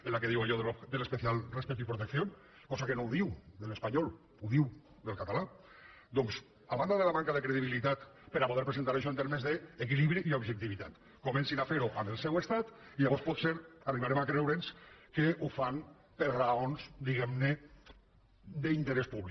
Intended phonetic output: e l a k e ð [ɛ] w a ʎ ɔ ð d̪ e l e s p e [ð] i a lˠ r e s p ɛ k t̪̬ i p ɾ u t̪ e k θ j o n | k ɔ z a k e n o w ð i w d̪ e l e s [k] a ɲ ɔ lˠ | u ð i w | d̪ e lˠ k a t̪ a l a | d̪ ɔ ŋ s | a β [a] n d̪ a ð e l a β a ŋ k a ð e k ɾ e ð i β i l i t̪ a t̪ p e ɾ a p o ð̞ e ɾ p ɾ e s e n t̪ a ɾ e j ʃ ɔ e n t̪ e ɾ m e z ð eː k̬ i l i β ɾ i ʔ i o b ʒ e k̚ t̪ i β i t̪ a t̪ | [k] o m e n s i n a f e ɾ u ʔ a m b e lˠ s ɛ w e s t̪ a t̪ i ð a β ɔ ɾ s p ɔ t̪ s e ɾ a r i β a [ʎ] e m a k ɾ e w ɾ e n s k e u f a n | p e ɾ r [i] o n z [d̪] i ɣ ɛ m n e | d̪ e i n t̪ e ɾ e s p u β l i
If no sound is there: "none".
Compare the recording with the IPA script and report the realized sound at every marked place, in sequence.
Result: i, θ, p, a, k, ɾ, a, d̪

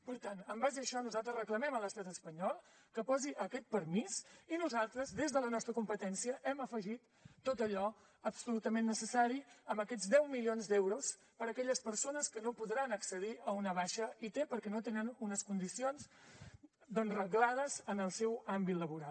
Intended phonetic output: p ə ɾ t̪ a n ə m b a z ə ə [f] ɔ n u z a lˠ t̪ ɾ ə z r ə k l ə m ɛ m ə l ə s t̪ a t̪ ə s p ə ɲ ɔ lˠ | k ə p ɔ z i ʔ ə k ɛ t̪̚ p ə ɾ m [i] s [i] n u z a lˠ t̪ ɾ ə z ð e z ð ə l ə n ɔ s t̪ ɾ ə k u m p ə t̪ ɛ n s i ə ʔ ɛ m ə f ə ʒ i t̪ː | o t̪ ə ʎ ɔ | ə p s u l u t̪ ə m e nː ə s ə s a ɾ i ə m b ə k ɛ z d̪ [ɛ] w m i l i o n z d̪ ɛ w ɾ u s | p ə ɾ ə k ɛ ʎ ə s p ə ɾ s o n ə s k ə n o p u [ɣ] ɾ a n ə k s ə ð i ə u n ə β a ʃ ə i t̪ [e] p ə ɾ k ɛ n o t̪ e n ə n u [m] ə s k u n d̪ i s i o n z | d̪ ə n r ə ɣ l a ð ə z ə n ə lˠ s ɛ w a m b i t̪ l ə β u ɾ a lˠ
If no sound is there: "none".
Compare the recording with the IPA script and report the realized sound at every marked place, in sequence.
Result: ʃ, i, i, ɛ, ð, e, n

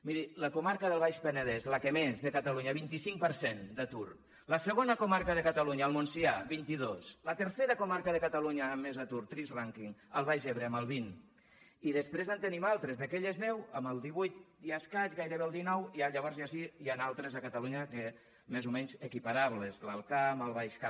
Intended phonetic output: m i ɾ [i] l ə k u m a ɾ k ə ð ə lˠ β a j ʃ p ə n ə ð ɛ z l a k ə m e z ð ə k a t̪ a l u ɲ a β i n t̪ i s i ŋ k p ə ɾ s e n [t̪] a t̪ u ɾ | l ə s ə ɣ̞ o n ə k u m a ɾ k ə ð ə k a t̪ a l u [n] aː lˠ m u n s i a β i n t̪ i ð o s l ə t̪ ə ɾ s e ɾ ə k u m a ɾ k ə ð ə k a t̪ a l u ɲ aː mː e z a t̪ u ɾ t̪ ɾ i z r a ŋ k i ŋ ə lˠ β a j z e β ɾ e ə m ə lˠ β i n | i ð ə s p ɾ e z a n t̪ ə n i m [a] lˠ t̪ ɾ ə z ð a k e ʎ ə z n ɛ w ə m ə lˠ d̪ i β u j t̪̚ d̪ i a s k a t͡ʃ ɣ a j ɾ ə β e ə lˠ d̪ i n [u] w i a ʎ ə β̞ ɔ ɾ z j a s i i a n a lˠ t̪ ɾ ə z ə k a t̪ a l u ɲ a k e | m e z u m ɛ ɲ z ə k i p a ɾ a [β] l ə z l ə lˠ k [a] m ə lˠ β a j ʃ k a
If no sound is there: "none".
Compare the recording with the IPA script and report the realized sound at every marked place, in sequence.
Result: i, d̪, ɲ, a, ɔ, β, a

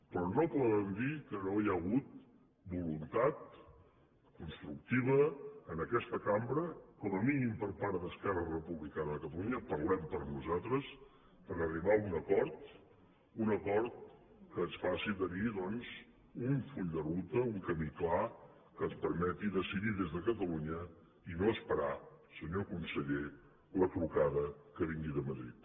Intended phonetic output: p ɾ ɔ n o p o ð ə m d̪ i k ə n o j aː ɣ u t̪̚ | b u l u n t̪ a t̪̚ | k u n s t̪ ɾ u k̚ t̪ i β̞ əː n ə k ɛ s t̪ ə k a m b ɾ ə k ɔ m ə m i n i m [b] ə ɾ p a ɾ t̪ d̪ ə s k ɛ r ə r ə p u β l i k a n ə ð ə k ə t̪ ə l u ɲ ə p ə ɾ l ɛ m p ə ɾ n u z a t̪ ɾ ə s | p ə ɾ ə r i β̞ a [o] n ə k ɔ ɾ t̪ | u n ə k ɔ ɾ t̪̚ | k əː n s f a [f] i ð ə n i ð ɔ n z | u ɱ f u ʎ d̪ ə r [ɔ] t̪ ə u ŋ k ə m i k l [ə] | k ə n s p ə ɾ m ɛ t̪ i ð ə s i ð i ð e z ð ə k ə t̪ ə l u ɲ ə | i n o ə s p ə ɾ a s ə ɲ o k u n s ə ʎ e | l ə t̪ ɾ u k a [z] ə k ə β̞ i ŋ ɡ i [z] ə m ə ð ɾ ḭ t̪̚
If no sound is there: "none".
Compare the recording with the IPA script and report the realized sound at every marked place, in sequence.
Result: p, u, s, u, a, ð, ð

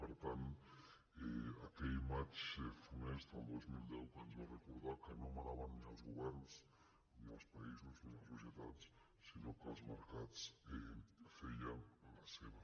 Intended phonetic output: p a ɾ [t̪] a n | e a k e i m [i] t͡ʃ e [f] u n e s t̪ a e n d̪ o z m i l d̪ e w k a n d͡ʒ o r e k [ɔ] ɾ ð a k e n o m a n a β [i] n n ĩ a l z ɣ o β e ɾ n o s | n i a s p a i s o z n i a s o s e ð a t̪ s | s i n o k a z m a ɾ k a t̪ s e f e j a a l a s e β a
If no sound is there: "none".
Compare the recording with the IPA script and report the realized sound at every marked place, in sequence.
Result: t̪, a, f, o, a

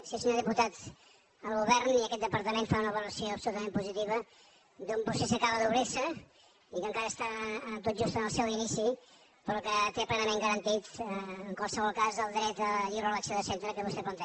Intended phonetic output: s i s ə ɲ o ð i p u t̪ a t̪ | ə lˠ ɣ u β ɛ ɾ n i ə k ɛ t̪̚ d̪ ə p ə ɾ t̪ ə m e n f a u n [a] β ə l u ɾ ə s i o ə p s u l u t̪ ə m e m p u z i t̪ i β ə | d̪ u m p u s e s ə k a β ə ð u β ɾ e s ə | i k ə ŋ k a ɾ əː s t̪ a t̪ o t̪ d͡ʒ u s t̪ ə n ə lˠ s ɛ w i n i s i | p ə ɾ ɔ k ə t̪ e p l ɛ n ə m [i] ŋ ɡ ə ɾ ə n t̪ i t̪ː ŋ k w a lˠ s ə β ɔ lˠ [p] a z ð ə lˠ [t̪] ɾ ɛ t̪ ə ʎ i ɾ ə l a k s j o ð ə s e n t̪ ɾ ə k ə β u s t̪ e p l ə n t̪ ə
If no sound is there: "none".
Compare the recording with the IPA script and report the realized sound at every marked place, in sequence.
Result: ə, e, k, d̪

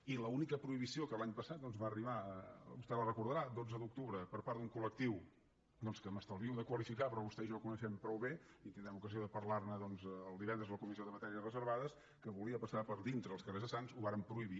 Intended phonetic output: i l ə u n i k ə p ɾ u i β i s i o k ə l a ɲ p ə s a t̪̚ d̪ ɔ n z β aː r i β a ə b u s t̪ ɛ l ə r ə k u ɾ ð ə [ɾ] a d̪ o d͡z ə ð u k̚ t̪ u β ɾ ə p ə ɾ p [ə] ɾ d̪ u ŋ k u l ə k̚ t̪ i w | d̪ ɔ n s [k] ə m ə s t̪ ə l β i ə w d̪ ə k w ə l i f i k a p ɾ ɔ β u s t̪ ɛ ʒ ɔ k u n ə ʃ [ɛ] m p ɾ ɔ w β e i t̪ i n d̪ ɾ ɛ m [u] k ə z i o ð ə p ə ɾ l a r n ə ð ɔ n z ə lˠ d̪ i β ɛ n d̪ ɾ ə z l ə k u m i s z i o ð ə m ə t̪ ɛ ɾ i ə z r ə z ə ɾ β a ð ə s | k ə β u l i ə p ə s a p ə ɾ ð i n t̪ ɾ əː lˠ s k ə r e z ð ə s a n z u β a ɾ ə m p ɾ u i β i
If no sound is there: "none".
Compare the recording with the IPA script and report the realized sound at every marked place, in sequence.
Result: ɾ, a, k, ɛ, u

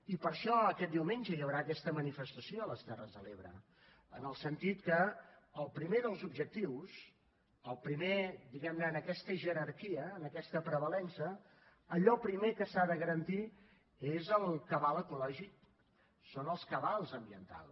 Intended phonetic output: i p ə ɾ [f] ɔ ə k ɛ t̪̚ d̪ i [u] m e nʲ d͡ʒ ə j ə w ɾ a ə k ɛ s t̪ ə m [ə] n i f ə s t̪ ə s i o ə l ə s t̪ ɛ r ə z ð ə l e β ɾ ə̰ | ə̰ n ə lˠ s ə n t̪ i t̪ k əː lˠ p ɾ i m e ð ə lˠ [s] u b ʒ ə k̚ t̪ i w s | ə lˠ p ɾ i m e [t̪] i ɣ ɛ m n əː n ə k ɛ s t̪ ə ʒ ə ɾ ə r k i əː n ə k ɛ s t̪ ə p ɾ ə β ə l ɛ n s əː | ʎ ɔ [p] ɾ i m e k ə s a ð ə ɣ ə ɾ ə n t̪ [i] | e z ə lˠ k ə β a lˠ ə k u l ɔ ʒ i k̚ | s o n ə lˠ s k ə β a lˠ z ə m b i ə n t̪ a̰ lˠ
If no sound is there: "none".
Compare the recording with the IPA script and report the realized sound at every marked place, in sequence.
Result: ʃ, w, ə, z, d̪, p, i

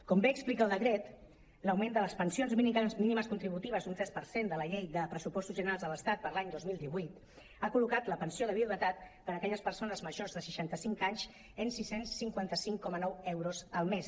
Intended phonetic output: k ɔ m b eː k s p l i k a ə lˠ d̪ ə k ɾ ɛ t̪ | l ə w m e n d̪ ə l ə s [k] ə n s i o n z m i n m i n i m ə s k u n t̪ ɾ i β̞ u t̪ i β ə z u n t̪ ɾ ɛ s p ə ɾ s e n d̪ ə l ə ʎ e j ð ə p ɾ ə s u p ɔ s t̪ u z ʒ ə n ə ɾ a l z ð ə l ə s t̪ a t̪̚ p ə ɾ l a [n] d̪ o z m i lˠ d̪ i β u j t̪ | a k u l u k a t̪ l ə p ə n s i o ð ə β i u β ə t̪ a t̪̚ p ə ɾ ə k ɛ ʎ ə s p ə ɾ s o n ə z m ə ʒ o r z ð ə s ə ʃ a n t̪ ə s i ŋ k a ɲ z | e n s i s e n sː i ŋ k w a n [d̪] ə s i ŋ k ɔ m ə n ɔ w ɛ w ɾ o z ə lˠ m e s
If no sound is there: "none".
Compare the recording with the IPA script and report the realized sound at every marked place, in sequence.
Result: p, ɲ, t̪

